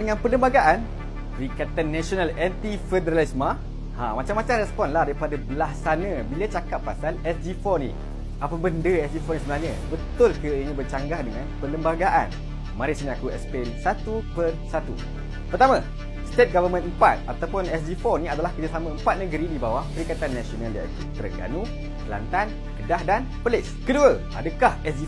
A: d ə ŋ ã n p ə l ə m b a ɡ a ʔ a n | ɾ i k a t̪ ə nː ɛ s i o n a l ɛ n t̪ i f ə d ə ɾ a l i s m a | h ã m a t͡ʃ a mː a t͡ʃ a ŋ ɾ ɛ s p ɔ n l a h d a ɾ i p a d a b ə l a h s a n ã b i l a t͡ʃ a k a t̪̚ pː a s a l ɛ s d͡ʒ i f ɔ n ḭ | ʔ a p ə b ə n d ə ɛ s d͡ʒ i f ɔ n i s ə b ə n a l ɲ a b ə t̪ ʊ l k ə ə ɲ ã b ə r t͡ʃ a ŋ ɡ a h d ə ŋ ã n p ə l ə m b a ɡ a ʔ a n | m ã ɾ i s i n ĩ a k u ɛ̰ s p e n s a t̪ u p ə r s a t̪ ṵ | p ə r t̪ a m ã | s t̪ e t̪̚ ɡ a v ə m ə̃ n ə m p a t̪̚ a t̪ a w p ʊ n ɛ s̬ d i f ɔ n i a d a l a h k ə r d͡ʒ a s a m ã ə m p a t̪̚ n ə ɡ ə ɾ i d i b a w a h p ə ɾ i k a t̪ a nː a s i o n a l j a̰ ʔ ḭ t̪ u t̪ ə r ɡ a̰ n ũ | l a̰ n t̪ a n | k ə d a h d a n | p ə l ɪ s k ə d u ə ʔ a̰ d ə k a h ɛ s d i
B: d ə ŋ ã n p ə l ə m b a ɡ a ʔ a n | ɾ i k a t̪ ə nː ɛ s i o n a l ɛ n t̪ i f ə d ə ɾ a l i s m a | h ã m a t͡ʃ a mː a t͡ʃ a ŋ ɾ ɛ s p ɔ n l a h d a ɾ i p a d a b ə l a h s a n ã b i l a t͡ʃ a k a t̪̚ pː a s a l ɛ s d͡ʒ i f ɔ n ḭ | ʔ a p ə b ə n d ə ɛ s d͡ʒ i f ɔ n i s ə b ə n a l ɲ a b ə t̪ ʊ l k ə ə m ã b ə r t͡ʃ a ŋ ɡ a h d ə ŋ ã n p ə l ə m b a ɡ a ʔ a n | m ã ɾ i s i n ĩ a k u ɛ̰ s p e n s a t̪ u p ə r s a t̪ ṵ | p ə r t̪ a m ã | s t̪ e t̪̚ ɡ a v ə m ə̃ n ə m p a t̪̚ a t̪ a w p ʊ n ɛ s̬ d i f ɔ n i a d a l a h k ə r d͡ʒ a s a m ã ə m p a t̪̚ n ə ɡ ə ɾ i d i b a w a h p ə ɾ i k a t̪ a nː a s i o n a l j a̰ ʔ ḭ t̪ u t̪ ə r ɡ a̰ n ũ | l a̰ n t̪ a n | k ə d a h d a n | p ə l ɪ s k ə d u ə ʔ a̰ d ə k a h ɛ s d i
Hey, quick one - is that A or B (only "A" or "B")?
A